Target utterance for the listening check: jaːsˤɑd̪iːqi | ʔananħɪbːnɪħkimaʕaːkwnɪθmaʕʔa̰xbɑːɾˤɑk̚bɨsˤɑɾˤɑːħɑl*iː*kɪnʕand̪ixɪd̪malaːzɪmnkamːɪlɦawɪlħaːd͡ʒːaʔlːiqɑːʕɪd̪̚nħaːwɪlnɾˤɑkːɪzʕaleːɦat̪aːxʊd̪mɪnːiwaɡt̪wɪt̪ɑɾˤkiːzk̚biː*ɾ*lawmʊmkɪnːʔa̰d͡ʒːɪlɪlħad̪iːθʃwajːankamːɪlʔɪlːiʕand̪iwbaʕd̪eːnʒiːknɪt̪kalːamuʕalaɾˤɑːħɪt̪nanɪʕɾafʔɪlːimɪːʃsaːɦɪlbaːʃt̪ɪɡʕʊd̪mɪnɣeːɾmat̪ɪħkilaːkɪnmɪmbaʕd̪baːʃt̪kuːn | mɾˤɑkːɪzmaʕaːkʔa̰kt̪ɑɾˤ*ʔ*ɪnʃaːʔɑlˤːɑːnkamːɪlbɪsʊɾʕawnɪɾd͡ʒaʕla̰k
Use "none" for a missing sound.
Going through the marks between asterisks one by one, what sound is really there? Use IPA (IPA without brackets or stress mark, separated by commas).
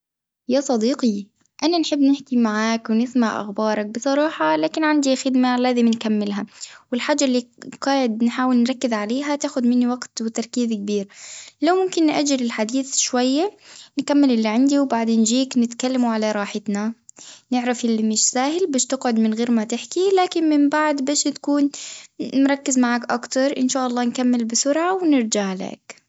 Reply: aː, ɾ, ʔ